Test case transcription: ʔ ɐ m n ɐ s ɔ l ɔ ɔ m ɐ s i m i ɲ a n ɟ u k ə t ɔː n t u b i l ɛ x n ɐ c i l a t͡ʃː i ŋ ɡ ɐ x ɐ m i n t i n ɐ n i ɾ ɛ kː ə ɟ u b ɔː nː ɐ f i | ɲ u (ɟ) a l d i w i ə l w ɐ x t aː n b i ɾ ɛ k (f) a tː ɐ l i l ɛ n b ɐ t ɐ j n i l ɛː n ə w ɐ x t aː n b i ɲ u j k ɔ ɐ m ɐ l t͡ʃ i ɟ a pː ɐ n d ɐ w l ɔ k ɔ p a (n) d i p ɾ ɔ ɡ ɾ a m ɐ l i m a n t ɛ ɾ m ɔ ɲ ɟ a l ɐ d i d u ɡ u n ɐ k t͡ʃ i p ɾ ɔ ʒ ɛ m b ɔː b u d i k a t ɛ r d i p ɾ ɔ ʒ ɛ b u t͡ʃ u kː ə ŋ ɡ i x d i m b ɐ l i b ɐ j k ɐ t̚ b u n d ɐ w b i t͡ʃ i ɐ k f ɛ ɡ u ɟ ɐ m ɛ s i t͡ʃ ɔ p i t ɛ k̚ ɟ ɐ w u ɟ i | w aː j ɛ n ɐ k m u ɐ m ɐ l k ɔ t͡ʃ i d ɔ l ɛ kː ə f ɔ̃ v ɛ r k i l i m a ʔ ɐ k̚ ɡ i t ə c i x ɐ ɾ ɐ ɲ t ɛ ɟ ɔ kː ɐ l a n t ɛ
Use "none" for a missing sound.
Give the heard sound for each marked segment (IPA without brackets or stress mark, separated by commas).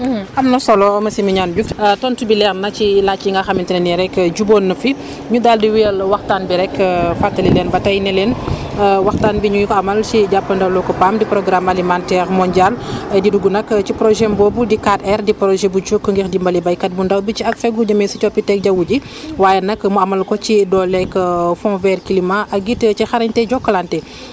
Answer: d, f, m